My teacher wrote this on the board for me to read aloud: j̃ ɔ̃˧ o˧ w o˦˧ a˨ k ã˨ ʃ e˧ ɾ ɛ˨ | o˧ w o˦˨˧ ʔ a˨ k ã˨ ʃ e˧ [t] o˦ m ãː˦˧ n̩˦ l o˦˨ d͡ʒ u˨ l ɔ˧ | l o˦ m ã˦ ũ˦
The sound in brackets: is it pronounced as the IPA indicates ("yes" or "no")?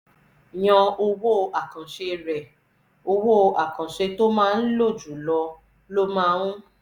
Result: yes